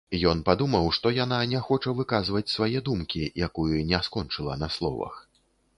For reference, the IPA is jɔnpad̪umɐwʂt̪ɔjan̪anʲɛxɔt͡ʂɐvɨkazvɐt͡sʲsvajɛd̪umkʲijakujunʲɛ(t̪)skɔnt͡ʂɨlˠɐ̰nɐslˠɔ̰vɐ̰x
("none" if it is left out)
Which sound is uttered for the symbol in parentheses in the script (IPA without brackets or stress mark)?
none